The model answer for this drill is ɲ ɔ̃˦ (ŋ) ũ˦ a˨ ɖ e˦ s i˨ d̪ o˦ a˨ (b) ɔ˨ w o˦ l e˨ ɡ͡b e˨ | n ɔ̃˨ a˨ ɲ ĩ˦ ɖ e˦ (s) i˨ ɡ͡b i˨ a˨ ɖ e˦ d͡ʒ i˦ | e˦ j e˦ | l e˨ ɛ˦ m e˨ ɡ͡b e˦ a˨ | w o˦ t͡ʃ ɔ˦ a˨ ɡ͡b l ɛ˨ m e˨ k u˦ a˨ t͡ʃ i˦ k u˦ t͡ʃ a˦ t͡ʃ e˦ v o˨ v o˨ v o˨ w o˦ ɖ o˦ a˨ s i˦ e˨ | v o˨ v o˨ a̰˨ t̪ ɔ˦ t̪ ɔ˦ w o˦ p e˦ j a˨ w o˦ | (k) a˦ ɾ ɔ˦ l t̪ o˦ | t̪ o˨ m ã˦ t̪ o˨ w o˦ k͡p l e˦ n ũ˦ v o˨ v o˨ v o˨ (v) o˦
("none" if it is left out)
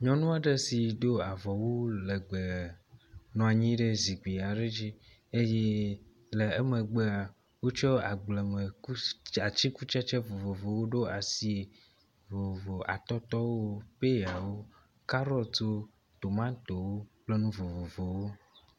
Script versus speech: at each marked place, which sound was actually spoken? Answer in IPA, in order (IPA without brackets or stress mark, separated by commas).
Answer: n, v, z, k, w